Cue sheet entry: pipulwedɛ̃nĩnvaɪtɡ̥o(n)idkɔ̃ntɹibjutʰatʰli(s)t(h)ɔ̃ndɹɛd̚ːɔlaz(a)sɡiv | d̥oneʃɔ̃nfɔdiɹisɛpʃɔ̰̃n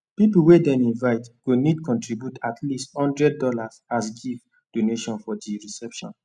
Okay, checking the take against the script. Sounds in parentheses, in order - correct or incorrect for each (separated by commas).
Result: correct, correct, correct, correct